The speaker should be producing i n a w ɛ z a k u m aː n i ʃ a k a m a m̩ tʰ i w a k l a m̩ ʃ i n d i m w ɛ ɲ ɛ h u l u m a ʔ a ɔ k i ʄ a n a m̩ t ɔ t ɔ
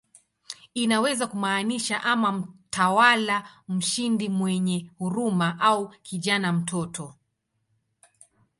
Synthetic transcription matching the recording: i n a w ɛ z a k u m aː n i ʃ a ʔ a m a m̩ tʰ a w a l a m̩ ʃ i n d i m w ɛ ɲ ɛ h u ɾ u m a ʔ a u k i ʄ a n a m̩ t ɔ t ɔ

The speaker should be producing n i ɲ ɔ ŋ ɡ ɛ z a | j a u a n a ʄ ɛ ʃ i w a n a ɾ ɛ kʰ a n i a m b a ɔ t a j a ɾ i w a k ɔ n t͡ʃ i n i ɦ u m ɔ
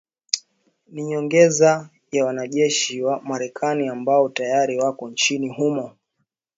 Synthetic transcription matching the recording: n i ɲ ɔ ŋ ɡ ɛ z a | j a w a n a ʄ ɛ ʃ i w a m a ɾ ɛ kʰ a n i a m b a ɔ t a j a ɾ i w a k ɔ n t͡ʃ i n i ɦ u m ɔ

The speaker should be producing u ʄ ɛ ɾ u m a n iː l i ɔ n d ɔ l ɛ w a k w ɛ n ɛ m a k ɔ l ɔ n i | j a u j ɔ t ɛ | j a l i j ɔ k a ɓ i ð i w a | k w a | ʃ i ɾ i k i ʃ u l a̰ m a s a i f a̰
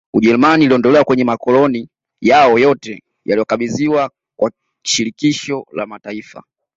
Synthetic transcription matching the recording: u ʄ ɛ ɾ u m a n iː l i ɔ n d ɔ l ɛ w a k w ɛ ɲ ɛ m a k ɔ l ɔ n i | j a ɔ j ɔ t ɛ | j a l i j ɔ k a ɓ i z i w a | k w a | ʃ i ɾ i k i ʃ ɔ l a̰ m a t a i f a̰

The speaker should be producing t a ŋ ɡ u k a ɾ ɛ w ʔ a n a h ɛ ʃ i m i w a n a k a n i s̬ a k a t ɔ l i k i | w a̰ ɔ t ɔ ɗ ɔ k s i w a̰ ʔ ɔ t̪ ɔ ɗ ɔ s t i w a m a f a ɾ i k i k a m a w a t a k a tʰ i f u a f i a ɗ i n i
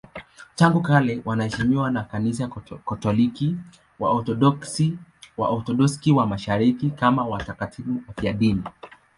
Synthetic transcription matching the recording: t a ŋ ɡ u k a l ɛ w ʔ a n a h ɛ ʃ i m i w a n a k a n i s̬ a k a t ɔ l i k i | w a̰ ɔ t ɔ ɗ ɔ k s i w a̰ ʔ ɔ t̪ ɔ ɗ ɔ s k i w a m a ʃ a ɾ i k i k a m a w a t a k a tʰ i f u a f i a ɗ i n i

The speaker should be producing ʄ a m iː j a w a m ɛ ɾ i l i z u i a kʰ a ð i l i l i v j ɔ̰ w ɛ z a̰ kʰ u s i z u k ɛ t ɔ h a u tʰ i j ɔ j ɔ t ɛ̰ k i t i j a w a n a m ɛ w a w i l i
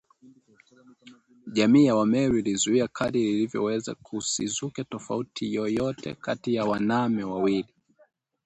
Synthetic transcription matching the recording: ʄ a m iː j a w a m ɛ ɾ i l i z u i a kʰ a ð i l i l i v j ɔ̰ w ɛ z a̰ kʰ u s i z u k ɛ t ɔ f a u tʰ i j ɔ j ɔ t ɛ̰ k a t i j a w a n a m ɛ w a w i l i

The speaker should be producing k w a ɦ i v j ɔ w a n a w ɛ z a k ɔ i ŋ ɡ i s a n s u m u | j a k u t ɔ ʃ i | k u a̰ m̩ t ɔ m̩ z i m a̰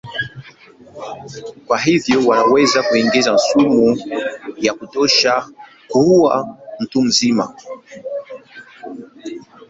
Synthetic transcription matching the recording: k w a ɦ i v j ɔ w a n a w ɛ z a k u i ŋ ɡ i z a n s u m u | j a k u t ɔ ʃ a | k u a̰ m̩ t u m̩ z i m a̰

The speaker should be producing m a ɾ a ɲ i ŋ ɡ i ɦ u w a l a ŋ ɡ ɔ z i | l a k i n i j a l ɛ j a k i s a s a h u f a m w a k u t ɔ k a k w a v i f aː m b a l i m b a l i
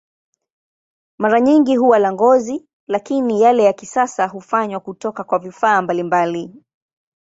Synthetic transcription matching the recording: m a ɾ a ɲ i ŋ ɡ i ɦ u w a l a ŋ ɡ ɔ z i | l a k i n i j a l ɛ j a k i s a s a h u f a ɲ w a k u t ɔ k a k w a v i f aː m b a l i m b a l i

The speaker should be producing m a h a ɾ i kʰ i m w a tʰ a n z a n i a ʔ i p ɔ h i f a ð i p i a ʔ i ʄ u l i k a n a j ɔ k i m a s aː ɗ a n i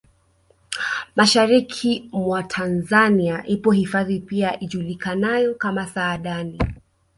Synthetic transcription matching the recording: m a ʃ a ɾ i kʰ i m w a tʰ a n z a n i a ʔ i p ɔ h i f a ð i p i a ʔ i ʄ u l i k a n a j ɔ k a m a s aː ɗ a n i

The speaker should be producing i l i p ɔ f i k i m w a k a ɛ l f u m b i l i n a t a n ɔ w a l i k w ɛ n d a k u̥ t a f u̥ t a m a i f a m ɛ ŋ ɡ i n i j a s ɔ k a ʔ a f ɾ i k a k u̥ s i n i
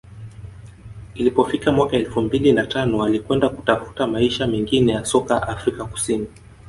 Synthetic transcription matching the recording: i l i p ɔ f i k a m w a k a ɛ l f u m b i l i n a t a n ɔ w a l i k w ɛ n d a k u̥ t a f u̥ t a m a i ʃ a m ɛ ŋ ɡ i n ɛ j a s ɔ k a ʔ a f ɾ i k a k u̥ s i n i

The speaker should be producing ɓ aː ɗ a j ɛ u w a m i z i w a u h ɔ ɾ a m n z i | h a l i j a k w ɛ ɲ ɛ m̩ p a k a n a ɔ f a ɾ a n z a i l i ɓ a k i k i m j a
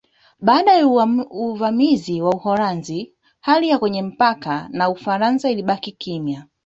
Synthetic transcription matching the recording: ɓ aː ɗ a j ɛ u v a m i z i w a u h ɔ ɾ a n z i | h a l i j a k w ɛ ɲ ɛ m̩ p a k a n a u f a ɾ a n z a i l i ɓ a k i k i m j a

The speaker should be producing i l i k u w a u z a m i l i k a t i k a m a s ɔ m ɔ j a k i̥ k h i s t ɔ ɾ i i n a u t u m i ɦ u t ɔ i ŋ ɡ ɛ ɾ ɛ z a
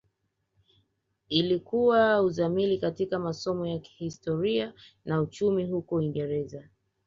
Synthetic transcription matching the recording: i l i k u w a u z a m i l i k a t i k a m a s ɔ m ɔ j a k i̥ h i s t ɔ ɾ i a n a u t͡ʃ u m i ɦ u k ɔ i ŋ ɡ ɛ ɾ ɛ z a

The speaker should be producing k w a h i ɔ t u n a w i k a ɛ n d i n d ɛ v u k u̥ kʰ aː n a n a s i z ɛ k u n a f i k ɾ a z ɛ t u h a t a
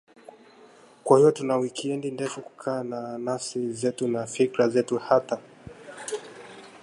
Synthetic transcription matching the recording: k w a h i ɔ t u n a w i k i ɛ n d i n d ɛ f u k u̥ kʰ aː n a n a s i z ɛ t u n a f i k ɾ a z ɛ t u h a t a

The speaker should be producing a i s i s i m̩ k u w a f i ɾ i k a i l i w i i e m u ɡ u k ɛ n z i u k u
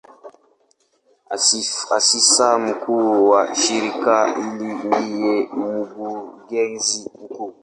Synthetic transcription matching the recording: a a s i s a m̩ k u w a ʃ i ɾ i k a i l i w i j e m u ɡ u ɡ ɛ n z i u k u

